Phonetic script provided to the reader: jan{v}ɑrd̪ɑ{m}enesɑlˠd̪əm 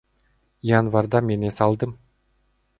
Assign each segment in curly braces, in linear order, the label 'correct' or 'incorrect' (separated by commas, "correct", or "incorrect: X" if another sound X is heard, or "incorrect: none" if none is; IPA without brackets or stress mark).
correct, correct